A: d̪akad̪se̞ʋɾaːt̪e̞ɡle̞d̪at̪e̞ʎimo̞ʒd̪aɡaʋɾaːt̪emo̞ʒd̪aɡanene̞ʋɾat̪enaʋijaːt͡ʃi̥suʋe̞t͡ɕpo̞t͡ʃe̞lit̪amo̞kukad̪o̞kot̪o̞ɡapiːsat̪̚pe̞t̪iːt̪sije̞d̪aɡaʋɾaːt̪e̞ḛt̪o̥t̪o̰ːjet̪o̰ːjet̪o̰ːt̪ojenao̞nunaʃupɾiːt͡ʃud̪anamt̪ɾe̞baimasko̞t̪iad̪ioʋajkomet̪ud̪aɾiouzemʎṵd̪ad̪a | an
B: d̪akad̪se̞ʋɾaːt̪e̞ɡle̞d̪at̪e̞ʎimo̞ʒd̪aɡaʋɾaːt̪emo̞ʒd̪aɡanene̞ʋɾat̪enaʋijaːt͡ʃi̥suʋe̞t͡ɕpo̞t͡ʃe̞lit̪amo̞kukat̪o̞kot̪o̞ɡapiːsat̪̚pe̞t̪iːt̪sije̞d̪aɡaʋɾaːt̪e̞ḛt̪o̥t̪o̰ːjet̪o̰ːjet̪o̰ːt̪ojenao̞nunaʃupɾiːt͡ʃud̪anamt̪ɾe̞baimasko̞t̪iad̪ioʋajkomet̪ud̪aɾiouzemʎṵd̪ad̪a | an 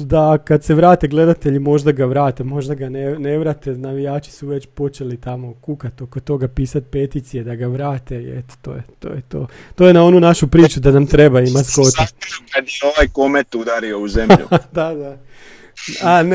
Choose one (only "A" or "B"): B